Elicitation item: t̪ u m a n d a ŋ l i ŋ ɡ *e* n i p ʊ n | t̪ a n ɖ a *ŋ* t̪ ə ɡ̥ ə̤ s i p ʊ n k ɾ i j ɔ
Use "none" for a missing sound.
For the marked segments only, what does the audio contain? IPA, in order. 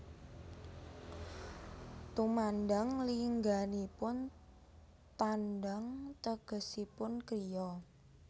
a, ŋ

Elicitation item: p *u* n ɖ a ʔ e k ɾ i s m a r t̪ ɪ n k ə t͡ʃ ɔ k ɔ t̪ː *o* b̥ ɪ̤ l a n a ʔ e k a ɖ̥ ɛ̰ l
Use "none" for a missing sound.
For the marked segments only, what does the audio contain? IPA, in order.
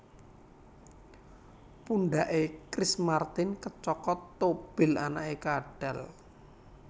u, o

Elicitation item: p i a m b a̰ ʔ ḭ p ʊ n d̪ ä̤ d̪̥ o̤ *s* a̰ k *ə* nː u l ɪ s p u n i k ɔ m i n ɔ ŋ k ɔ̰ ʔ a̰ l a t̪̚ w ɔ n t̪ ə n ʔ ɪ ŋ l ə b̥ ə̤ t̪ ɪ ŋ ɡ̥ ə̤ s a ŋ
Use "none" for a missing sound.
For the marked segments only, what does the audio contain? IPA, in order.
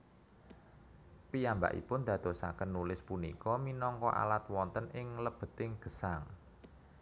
s, ə

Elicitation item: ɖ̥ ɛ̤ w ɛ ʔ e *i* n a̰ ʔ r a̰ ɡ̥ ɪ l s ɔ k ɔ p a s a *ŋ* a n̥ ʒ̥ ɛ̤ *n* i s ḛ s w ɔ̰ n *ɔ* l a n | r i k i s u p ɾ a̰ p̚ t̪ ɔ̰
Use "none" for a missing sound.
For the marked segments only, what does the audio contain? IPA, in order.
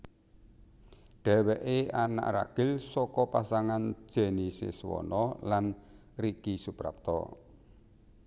a, ŋ, n, ɔ

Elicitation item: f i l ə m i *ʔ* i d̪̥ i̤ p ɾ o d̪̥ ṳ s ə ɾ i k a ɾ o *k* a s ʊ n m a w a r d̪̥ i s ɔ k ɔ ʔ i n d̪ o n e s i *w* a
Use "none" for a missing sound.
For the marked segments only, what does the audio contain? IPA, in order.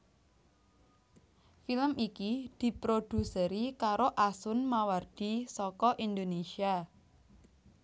k, ʔ, none

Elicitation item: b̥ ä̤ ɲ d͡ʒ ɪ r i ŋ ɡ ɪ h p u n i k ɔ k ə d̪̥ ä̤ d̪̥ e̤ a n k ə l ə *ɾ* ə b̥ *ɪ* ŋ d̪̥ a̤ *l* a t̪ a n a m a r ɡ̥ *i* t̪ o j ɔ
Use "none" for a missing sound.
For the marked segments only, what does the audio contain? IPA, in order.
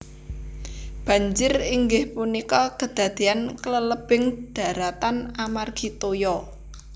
l, ɪ, ɾ, i

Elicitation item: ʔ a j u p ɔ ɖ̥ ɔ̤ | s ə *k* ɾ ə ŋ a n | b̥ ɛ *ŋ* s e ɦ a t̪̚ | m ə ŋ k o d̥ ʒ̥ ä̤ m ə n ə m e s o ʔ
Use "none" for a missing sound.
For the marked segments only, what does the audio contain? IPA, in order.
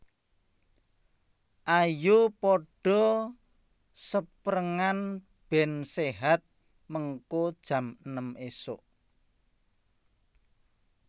p, n

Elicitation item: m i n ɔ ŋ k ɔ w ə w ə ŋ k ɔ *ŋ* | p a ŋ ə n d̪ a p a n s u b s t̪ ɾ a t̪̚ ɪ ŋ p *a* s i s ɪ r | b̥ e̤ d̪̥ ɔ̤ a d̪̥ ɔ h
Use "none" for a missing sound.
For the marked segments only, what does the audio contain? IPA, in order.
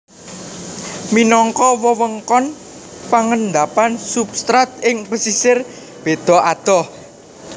n, ə

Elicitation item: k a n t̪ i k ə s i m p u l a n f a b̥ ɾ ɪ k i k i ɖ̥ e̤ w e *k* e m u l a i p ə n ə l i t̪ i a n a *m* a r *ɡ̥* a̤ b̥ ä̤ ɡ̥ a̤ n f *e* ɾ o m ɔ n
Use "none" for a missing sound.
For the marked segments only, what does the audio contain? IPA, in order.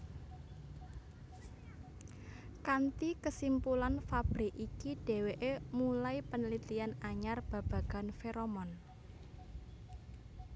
ʔ, ɲ, b̥, e

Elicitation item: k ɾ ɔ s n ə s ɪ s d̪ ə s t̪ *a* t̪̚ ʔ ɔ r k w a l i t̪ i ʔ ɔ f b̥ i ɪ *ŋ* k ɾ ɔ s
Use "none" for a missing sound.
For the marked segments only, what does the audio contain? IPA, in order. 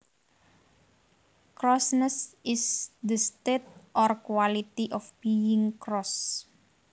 e, ŋ

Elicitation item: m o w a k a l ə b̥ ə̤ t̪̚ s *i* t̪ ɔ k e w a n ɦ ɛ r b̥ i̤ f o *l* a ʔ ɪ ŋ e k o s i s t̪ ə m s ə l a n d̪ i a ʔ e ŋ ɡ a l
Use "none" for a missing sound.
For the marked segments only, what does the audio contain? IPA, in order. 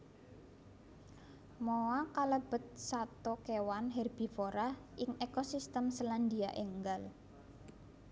a, ɾ

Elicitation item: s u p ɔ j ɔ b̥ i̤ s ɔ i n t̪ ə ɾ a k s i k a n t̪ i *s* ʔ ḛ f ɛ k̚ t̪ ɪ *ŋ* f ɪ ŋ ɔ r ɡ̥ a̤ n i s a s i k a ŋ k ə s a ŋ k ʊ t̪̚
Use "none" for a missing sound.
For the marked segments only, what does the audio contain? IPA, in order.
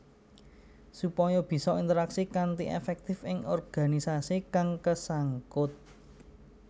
none, none

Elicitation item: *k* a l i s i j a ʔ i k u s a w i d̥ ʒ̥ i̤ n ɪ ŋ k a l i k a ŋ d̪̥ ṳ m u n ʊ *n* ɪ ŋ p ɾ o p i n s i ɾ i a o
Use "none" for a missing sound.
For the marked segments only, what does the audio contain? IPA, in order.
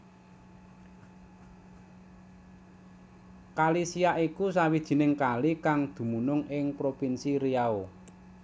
k, ŋ

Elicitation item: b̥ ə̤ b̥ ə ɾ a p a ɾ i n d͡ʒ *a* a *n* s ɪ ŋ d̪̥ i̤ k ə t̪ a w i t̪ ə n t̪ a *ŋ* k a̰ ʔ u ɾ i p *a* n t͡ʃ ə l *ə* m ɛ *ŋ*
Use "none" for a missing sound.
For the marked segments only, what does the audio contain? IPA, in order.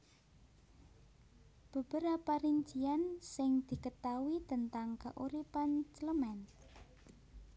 i, n, ŋ, a, ə, n

